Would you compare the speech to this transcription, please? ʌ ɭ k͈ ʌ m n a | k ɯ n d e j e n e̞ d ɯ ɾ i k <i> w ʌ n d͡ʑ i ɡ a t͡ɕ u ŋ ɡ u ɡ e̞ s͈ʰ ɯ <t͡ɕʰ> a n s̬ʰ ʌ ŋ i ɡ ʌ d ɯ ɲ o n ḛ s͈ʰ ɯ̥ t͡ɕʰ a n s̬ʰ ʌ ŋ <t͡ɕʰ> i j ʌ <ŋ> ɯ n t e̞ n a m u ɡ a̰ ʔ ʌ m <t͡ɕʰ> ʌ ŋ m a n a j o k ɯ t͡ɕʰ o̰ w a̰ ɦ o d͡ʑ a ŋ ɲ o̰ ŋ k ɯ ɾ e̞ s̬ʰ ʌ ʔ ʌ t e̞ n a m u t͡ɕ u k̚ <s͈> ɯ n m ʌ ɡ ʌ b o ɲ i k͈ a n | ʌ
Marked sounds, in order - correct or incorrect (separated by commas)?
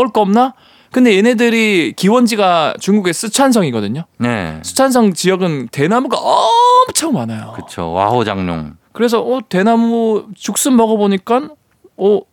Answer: correct, correct, incorrect, incorrect, correct, correct